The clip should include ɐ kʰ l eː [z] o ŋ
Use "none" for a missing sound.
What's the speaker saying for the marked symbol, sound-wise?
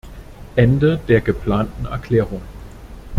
ʁ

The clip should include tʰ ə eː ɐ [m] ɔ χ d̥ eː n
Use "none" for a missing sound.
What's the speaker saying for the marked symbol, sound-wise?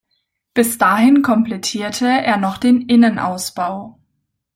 n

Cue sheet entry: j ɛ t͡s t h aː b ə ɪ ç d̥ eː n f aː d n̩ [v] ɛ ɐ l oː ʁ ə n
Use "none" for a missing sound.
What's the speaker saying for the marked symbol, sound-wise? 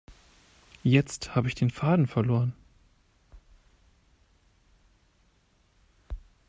f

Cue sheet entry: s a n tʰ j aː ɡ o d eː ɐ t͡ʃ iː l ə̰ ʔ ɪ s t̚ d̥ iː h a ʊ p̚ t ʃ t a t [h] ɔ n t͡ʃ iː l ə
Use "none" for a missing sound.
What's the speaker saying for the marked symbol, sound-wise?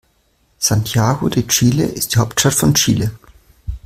f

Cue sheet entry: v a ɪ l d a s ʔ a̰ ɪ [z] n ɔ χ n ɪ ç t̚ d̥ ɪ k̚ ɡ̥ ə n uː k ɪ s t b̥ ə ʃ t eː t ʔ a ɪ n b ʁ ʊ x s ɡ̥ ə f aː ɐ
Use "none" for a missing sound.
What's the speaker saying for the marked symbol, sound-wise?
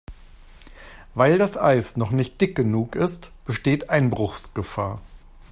s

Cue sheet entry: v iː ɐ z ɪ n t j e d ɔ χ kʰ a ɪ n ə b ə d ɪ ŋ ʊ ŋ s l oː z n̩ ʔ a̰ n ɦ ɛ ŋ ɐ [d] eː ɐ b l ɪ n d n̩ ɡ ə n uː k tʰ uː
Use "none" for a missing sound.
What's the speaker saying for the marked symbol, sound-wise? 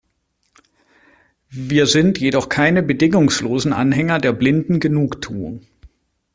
d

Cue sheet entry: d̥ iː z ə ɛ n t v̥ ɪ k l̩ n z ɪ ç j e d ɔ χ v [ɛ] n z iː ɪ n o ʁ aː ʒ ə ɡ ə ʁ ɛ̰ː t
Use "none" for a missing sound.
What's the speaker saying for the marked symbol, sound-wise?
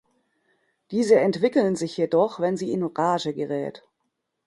ɛ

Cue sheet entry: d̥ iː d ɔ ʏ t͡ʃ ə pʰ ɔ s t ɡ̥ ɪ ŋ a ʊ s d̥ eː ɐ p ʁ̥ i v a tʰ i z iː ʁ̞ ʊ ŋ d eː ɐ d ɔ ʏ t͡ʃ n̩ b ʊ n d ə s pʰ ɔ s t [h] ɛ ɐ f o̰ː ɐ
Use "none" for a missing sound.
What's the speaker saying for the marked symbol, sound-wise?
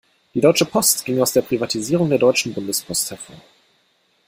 h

